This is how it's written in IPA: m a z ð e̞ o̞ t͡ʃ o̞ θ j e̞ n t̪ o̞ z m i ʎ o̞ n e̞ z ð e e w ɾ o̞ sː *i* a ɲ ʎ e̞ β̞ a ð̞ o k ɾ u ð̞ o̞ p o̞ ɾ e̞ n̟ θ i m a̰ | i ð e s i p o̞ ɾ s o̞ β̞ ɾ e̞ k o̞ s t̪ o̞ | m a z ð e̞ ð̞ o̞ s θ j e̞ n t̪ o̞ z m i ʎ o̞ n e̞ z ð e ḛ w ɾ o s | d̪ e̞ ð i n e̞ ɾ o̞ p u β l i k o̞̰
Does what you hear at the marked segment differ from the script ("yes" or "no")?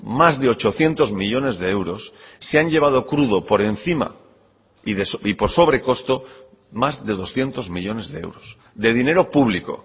yes